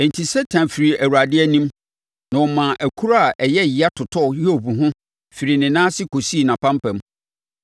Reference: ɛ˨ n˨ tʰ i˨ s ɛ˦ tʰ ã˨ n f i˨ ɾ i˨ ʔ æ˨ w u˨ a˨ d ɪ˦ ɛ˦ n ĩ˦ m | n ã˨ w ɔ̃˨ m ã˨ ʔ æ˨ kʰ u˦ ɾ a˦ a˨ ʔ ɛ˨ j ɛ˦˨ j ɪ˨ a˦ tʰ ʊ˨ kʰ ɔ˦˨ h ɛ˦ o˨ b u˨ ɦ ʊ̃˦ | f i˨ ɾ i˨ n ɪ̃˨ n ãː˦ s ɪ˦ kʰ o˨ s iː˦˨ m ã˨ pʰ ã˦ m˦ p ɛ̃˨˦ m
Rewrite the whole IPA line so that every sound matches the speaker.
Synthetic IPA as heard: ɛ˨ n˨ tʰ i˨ s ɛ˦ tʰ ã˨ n f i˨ ɾ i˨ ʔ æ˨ w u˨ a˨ d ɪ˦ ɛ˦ n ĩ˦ m | n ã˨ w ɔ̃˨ m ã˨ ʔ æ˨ kʰ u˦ ɾ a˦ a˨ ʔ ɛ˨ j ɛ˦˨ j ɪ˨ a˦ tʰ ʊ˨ tʰ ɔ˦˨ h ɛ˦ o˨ b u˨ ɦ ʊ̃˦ | f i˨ ɾ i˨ n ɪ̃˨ n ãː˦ s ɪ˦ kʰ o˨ s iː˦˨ n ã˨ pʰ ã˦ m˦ p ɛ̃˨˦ m